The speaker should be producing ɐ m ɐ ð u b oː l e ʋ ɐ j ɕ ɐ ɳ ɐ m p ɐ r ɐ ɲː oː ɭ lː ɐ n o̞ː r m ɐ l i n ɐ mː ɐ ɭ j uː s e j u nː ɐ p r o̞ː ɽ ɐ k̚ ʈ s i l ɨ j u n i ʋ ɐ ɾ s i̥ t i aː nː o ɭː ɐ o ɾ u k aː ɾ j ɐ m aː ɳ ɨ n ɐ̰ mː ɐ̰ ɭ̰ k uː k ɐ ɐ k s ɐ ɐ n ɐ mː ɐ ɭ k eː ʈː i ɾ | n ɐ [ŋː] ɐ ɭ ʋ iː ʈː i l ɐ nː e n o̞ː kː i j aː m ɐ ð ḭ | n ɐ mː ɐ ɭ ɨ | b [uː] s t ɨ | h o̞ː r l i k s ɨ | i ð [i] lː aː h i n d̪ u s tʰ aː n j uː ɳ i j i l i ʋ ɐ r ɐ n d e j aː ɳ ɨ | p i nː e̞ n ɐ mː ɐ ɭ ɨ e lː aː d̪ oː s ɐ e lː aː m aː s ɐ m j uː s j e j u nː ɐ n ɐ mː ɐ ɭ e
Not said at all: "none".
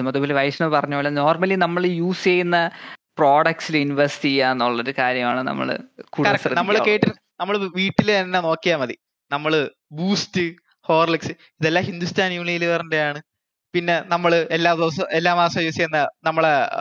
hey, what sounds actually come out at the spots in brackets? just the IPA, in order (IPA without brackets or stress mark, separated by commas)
mː, uː, e